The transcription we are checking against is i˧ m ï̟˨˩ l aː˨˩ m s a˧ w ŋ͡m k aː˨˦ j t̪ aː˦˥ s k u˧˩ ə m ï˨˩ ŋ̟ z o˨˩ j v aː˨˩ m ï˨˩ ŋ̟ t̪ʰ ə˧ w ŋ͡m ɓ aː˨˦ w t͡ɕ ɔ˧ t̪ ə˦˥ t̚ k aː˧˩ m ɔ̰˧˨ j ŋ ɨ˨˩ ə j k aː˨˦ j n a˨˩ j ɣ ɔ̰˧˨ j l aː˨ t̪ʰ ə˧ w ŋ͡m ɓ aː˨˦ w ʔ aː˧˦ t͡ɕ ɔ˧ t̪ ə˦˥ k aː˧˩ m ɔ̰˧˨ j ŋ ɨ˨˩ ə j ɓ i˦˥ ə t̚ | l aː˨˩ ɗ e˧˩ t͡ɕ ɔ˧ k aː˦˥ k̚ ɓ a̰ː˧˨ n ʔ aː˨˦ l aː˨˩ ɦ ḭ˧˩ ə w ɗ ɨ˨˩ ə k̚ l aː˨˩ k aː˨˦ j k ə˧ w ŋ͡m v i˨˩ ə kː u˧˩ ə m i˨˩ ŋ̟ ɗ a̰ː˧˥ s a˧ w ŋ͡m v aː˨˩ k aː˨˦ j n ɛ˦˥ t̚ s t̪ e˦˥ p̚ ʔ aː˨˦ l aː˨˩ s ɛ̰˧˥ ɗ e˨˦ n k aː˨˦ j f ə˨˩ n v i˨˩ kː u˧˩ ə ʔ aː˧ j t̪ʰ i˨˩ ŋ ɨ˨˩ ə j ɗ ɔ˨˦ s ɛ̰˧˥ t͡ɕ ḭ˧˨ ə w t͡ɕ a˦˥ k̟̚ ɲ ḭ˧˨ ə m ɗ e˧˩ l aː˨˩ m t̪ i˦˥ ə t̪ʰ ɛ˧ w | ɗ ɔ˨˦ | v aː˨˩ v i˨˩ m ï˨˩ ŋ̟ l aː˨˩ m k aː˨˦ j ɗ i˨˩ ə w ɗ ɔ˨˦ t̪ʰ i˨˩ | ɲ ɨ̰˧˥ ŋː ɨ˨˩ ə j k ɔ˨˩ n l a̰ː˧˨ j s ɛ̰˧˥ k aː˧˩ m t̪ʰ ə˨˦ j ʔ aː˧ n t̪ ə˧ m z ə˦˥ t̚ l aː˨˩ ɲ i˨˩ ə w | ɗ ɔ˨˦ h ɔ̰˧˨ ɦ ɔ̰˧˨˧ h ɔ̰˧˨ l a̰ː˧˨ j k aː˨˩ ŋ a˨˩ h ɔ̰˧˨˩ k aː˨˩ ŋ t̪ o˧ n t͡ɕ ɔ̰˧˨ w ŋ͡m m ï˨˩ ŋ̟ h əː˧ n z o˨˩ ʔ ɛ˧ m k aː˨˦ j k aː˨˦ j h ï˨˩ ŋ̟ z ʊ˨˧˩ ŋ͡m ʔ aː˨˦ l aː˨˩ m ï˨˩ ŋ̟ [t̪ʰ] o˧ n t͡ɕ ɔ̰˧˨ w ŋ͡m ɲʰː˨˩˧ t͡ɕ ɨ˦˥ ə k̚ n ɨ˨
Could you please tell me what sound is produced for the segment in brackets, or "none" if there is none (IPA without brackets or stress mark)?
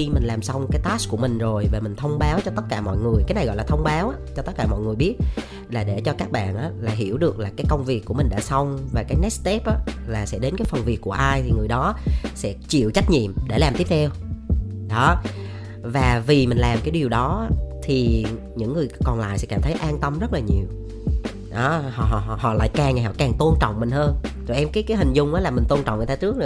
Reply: t̪